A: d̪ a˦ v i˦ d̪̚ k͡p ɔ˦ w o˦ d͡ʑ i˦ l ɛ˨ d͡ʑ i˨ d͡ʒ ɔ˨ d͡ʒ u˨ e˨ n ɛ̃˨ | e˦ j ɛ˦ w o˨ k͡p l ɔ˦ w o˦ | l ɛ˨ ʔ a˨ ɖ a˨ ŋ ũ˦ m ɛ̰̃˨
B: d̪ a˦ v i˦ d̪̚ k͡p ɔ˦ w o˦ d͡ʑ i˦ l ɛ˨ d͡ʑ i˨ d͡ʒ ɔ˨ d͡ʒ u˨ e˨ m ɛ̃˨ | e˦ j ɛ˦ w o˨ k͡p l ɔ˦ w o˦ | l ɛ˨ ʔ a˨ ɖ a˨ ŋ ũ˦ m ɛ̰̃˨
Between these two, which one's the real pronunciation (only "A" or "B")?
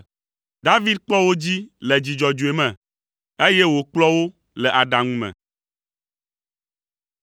B